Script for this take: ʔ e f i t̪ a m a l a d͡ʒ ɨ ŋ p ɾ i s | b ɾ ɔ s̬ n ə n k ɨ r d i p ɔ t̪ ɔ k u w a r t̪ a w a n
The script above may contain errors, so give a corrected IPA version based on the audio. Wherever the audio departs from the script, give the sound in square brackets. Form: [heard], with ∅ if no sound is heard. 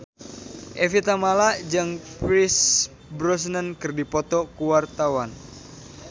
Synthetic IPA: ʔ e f i t̪ a m a l a d͡ʒ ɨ ŋ p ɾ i s | b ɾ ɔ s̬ n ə n k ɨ r d i p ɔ t̪ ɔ k u w a r t̪ a w a n